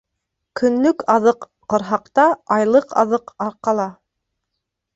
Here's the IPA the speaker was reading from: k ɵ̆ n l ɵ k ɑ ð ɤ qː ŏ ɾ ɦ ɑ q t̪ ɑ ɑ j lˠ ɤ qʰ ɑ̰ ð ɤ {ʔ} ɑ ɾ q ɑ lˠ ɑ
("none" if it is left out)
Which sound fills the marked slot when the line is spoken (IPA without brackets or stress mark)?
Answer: q